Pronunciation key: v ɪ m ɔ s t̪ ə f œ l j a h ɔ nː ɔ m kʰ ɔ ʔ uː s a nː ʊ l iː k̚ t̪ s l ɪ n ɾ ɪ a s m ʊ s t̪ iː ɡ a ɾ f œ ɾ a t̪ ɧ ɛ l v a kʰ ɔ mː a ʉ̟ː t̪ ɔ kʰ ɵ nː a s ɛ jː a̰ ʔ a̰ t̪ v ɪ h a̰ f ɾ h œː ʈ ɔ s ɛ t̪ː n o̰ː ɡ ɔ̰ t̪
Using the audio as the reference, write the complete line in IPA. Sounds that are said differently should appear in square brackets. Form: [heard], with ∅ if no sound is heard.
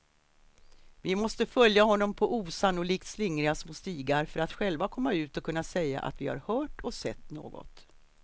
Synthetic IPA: v ɪ m ɔ s t̪ ə f œ l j a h ɔ nː ɔ m [pʰ] ɔ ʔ uː s a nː ʊ l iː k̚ t̪ s l ɪ [ŋ] ɾ ɪ a s m ʊ s t̪ iː ɡ a ɾ f œ ɾ a t̪ ɧ ɛ l v a kʰ ɔ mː a ʉ̟ː t̪ ɔ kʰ ɵ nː a s ɛ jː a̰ ʔ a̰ t̪ v ɪ h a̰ [∅] ɾ h œː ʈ ɔ s ɛ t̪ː n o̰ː ɡ ɔ̰ t̪

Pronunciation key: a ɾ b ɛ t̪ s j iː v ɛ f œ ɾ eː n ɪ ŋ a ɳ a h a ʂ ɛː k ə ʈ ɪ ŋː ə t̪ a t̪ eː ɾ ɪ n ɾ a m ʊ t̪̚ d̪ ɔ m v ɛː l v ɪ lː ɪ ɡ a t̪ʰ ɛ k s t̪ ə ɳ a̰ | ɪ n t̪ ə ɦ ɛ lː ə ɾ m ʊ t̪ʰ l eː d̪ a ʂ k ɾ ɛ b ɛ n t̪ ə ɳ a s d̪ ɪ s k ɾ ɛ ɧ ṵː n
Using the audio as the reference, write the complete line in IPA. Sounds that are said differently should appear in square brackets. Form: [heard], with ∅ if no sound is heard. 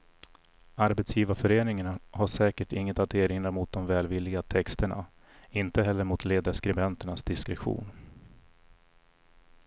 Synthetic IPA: a ɾ b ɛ t̪ s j iː v [a] f œ ɾ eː n ɪ ŋ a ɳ a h a ʂ ɛː k ə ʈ ɪ ŋː ə t̪ a t̪ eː ɾ ɪ n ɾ a m ʊ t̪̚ d̪ ɔ m v ɛː l v ɪ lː ɪ ɡ a t̪ʰ ɛ k s t̪ ə ɳ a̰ | ɪ n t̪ ə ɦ ɛ lː ə ɾ m ʊ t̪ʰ l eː d̪ a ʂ k ɾ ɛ b ɛ n t̪ ə ɳ a s d̪ ɪ s k ɾ ɛ ɧ ṵː n

